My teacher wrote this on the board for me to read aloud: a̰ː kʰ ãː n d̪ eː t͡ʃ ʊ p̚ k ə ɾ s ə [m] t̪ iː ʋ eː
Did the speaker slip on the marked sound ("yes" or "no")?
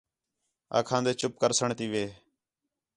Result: yes